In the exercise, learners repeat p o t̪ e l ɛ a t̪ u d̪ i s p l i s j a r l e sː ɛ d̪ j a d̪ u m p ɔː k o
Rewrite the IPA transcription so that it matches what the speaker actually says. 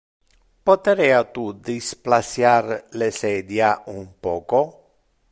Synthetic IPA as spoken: p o t̪ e ɾ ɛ a t̪ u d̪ i s p l a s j a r l e s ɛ d̪ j a u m p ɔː k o